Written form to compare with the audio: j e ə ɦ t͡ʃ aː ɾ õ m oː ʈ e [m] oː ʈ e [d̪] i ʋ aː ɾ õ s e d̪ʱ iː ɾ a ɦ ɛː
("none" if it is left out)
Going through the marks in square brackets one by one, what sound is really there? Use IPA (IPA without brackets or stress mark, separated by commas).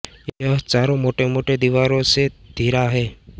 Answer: m, d̪